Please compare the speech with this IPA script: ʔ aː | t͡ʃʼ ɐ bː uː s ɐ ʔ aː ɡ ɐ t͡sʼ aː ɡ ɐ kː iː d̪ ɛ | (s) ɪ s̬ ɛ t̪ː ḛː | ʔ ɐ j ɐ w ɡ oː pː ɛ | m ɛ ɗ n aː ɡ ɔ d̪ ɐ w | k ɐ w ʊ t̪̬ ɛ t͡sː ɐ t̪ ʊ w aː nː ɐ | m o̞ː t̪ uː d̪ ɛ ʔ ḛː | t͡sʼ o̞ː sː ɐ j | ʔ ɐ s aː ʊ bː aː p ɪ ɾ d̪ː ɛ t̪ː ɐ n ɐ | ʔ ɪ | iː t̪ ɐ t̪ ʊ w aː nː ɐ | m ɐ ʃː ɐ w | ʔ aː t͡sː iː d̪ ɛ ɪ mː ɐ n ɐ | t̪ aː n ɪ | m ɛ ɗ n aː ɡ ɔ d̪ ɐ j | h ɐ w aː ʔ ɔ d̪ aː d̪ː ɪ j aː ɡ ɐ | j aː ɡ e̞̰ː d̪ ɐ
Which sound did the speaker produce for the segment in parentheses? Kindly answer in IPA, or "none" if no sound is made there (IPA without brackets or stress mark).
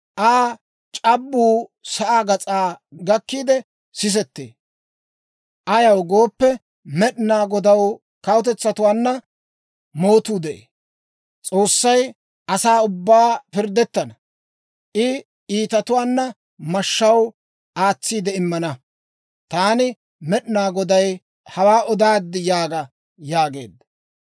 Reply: s